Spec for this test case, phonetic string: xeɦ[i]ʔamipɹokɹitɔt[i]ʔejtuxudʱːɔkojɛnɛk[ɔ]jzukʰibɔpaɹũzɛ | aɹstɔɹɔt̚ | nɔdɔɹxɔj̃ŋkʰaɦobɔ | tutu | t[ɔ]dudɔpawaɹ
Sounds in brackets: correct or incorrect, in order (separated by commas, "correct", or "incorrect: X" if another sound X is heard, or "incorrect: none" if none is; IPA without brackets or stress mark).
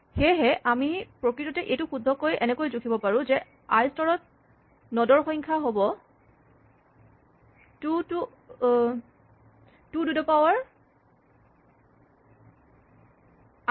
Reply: incorrect: ɛ, incorrect: ɛ, incorrect: o, incorrect: u